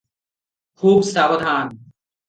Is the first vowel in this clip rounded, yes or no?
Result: yes